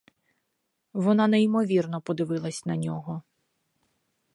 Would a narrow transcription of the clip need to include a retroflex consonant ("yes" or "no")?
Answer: no